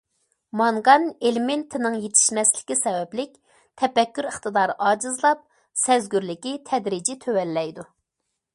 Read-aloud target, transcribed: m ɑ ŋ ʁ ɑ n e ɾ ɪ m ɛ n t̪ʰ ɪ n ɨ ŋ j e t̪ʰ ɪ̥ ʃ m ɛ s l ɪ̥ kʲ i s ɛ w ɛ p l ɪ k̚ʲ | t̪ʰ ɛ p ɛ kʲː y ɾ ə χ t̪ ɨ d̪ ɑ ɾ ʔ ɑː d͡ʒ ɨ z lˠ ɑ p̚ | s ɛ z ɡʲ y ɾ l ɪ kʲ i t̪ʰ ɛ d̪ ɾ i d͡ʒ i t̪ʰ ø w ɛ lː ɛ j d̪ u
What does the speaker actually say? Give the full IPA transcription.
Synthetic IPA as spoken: m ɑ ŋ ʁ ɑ n e l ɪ m e n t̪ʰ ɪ n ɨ ŋ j e t̪ʰ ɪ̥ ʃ m ɛ s l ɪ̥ kʲ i s ɛ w ɛ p l ɪ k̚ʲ | t̪ʰ ɛ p ɛ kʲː y ɾ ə χ t̪ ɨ d̪ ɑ ɾ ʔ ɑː d͡ʒ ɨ z lˠ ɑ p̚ | s ɛ z ɡʲ y ɾ l ɪ kʲ i t̪ʰ ɛ d̪ ɾ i d͡ʒ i t̪ʰ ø w ɛ lː ɛ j d̪ u